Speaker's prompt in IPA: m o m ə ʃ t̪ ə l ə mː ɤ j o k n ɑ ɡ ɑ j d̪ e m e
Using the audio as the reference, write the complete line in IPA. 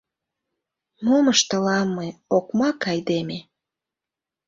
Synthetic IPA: m o m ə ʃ t̪ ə l ɑ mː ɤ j o k m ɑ k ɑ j d̪ e m e